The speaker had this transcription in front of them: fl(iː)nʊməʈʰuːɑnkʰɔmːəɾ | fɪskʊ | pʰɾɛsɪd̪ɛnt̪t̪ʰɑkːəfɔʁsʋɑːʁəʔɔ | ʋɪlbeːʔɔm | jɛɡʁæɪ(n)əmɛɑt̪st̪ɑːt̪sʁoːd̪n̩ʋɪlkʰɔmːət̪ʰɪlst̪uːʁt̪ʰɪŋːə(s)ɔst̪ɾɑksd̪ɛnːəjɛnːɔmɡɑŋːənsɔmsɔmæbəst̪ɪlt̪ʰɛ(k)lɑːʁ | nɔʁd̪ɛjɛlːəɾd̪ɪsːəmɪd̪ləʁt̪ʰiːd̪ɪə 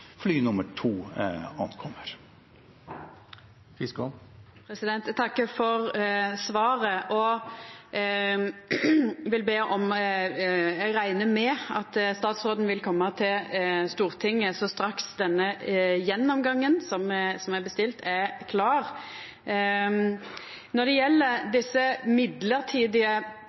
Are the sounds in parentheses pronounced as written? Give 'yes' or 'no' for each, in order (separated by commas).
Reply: no, yes, yes, no